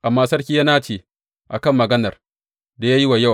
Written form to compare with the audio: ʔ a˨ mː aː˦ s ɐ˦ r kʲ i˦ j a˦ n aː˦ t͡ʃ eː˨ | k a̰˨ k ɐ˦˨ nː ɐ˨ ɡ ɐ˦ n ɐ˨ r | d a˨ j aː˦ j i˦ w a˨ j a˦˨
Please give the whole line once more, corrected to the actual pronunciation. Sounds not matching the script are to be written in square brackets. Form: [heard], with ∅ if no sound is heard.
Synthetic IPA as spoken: ʔ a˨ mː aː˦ s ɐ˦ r kʲ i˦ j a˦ n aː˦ t͡ʃ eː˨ | [ʔ] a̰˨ k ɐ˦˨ [mː] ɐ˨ ɡ ɐ˦ n ɐ˨ r | d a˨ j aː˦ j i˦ w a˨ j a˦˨